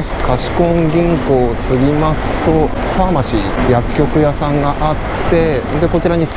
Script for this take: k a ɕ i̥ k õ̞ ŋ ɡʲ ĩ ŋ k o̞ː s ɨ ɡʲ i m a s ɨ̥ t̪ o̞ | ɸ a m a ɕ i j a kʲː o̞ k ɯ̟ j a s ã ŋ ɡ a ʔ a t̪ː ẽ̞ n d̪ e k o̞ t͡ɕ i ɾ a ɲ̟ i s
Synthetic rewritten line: k a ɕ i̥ k õ̞ ŋ ɡʲ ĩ ŋ k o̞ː s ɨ ɡʲ i m a s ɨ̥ t̪ o̞ | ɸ a m a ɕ i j a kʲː o̞ k ɯ̟ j a s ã ŋ ɡ a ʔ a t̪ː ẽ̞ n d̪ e k o̞ t͡ɕ i ɾ a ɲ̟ i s